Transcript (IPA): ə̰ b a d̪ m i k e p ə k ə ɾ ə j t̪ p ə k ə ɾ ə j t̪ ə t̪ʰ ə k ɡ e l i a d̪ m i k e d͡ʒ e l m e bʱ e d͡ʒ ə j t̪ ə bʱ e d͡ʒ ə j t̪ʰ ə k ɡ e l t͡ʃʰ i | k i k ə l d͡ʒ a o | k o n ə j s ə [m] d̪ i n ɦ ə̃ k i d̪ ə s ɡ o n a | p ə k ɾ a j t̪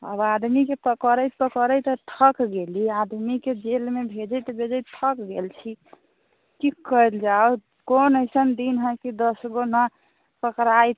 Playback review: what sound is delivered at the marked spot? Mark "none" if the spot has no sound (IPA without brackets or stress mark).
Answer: n